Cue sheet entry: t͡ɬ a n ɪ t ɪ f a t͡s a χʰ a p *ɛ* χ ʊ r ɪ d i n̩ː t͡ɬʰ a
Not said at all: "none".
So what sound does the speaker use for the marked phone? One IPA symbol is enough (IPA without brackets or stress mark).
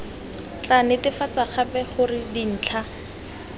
ɛ